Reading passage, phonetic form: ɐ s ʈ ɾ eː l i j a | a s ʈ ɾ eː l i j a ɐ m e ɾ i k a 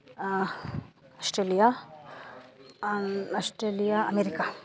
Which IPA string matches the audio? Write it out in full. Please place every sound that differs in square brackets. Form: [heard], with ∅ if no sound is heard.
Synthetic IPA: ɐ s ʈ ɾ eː l i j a | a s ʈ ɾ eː l i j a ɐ m e ɾ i k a